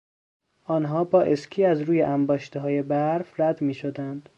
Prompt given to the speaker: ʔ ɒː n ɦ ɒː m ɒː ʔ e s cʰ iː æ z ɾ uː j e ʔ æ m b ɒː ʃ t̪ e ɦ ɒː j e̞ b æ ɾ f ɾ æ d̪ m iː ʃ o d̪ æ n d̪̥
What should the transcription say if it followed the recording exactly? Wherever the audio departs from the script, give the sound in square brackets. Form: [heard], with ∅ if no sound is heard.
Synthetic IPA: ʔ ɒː n ɦ ɒː [b] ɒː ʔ e s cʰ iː æ z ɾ uː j e ʔ æ m b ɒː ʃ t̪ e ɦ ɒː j e̞ b æ ɾ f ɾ æ d̪ m iː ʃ o d̪ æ n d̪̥